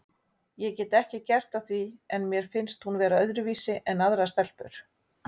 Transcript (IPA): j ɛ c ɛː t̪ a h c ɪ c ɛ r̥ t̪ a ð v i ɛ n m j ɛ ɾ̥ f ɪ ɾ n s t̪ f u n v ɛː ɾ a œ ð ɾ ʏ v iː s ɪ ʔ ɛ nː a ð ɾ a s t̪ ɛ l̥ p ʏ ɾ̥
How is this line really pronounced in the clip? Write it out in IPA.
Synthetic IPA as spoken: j ɛ c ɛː t̪ ɛ h c ɪ c ɛ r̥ t̪ a θ v i ɛ n m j ɛ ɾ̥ f ɪ n s t̪ h u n v ɛː ɾ a œ ð ɾ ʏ v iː s ɪ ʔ ɛ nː a ð ɾ a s t̪ ɛ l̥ p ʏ ɾ̥